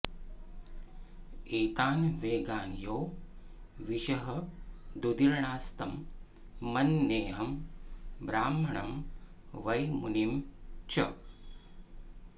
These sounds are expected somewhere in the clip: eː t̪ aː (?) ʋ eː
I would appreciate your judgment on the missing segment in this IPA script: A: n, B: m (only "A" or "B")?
A